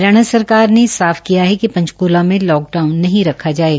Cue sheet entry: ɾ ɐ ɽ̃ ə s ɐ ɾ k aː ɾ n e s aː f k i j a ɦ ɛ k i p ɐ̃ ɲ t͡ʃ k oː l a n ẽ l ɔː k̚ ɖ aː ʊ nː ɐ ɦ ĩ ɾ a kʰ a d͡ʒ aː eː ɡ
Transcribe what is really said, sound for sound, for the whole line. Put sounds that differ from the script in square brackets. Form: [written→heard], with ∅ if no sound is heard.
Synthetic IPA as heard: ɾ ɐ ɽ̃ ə s ɐ ɾ k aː ɾ n e s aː f k i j a ɦ ɛ k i p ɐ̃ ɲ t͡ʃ k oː l a [n→m] ẽ l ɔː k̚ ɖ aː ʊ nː ɐ ɦ ĩ ɾ [a→ɐ] kʰ a d͡ʒ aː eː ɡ

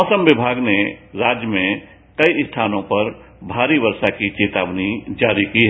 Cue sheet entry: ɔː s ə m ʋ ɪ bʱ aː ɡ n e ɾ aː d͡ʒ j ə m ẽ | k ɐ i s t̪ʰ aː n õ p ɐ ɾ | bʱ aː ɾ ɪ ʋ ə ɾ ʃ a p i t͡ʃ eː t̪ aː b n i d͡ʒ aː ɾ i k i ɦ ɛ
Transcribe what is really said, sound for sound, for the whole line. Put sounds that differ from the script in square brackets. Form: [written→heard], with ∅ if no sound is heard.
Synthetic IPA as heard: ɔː s ə m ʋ ɪ bʱ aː ɡ n e ɾ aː d͡ʒ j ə m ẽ | k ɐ i s t̪ʰ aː n õ p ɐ ɾ | bʱ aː ɾ [ɪ→i] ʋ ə ɾ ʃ a [p→k] i t͡ʃ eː t̪ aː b n i d͡ʒ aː ɾ i k i ɦ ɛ

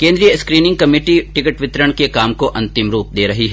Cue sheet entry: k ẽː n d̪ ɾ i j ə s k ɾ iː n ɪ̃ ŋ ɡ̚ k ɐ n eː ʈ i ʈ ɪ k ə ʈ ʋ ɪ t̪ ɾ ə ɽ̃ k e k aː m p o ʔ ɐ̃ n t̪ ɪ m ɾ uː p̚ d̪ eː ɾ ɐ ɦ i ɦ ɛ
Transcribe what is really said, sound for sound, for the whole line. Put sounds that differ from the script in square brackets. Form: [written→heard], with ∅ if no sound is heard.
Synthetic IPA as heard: k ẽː n d̪ ɾ i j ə s k ɾ iː n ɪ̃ ŋ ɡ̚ k ɐ [n→m] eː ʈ i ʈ ɪ k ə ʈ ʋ ɪ t̪ ɾ ə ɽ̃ k e k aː m [p→k] o ʔ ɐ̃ n t̪ ɪ m ɾ uː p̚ d̪ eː ɾ ɐ ɦ i ɦ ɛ

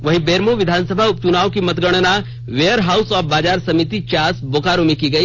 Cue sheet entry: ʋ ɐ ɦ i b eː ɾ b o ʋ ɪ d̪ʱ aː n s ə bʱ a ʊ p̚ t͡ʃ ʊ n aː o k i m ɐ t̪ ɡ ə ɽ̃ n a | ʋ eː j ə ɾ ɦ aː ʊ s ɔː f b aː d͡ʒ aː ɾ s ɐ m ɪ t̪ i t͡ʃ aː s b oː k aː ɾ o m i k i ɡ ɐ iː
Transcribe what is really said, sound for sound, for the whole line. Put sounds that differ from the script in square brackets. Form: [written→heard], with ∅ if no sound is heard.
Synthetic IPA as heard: ʋ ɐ ɦ i b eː ɾ [b→m] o ʋ ɪ d̪ʱ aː n s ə bʱ a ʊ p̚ t͡ʃ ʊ n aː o k i m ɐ t̪ ɡ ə ɽ̃ n a | ʋ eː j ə ɾ ɦ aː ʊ s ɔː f b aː d͡ʒ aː ɾ s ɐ m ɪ t̪ i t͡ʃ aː s b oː k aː ɾ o m i k i ɡ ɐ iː

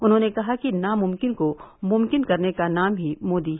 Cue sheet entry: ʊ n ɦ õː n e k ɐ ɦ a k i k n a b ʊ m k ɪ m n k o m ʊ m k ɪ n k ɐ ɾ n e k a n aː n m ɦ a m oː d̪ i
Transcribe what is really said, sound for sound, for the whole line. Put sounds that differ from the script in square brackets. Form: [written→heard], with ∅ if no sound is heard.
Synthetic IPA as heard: ʊ n ɦ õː n e k ɐ ɦ a k i [k→∅] n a [b→m] ʊ m k ɪ [m→∅] n k o m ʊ m k ɪ n k ɐ ɾ n e k a n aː [n→∅] m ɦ [a→i] m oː d̪ i

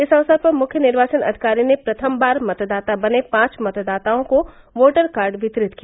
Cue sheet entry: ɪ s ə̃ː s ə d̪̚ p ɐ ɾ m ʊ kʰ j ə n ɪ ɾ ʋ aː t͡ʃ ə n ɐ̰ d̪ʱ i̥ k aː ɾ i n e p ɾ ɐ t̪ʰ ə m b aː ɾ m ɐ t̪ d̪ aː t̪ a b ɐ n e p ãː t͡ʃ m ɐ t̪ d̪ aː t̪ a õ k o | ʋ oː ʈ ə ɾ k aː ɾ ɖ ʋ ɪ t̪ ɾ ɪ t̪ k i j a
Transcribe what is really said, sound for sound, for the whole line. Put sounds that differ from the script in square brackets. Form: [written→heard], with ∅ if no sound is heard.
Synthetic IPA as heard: ɪ s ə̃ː s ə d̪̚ p ɐ ɾ m ʊ kʰ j ə n ɪ ɾ ʋ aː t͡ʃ ə n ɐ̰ d̪ʱ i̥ k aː ɾ i n e p ɾ ɐ t̪ʰ ə m b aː ɾ m ɐ t̪ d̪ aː t̪ a b ɐ n e p ãː t͡ʃ m ɐ t̪ d̪ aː t̪ a õ k o | ʋ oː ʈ ə ɾ k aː ɾ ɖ ʋ ɪ t̪ ɾ ɪ t̪ k i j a

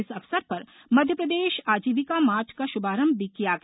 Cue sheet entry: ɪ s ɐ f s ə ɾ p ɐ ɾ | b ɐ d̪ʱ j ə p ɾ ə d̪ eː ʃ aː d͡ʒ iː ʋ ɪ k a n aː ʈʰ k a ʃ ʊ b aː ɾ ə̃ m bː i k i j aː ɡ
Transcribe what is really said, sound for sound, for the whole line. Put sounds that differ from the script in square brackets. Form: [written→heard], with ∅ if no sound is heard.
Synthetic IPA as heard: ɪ s ɐ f s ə ɾ p ɐ ɾ | [b→m] ɐ d̪ʱ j ə p ɾ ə d̪ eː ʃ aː d͡ʒ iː ʋ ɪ k a [n→m] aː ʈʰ k a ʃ ʊ b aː ɾ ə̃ m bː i k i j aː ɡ

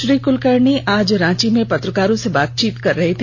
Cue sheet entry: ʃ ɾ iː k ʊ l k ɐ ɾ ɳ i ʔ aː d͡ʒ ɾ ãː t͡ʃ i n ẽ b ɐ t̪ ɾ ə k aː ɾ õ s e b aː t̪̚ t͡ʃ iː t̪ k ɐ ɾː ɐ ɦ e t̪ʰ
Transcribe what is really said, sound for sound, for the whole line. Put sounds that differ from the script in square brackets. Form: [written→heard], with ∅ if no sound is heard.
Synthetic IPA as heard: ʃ ɾ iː k ʊ l k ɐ ɾ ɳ i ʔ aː d͡ʒ ɾ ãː t͡ʃ i [n→m] ẽ [b→p] ɐ t̪ ɾ ə k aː ɾ õ s e b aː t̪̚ t͡ʃ iː t̪ k ɐ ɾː ɐ ɦ e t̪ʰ

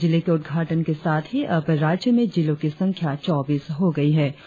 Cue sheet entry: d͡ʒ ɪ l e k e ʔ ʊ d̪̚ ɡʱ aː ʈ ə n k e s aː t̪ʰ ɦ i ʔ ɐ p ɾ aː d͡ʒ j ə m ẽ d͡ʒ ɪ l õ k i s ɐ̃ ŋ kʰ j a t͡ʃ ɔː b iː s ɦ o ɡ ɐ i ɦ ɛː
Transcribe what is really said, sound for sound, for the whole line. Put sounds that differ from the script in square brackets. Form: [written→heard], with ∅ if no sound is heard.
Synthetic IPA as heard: d͡ʒ ɪ l e k e [ʔ→∅] ʊ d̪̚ ɡʱ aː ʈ ə n k e s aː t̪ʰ ɦ i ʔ ɐ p ɾ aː d͡ʒ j ə m ẽ d͡ʒ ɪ l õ k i s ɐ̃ ŋ kʰ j a t͡ʃ ɔː b iː s ɦ o ɡ ɐ i ɦ ɛː

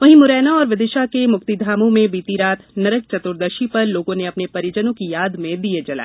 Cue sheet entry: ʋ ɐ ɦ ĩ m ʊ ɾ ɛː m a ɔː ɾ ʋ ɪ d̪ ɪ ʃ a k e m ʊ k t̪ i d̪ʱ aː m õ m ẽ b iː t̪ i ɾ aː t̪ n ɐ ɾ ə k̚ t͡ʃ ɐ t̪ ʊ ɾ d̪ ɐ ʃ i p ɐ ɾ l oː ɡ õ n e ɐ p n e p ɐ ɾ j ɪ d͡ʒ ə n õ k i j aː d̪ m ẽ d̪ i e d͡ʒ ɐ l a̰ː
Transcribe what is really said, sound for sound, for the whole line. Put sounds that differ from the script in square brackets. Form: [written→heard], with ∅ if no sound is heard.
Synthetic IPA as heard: ʋ ɐ ɦ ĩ m ʊ ɾ ɛː [m→n] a ɔː ɾ ʋ ɪ d̪ ɪ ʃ a k e m ʊ k t̪ i d̪ʱ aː m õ m ẽ b iː t̪ i ɾ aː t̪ n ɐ ɾ ə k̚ t͡ʃ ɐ t̪ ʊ ɾ d̪ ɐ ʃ i p ɐ ɾ l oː ɡ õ n e ɐ p n e p ɐ ɾ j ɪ d͡ʒ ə n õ k i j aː d̪ m ẽ d̪ i e d͡ʒ ɐ l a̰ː

